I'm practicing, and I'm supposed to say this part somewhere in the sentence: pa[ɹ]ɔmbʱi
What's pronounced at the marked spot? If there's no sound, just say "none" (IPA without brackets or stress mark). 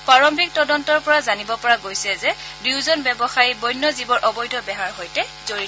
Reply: ɹ